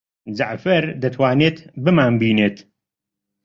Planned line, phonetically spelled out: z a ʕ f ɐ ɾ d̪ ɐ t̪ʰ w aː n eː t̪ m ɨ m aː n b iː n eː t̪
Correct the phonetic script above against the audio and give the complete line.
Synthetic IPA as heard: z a ʕ f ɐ ɾ d̪ ɐ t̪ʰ w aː n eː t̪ b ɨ m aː n b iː n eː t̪